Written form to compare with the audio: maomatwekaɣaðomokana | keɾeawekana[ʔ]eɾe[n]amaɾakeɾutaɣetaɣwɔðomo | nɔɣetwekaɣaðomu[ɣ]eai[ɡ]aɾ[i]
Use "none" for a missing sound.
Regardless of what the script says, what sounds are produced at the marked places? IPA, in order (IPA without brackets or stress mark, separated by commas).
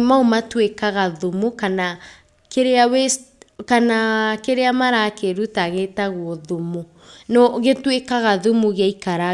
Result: k, none, ɣ, k, a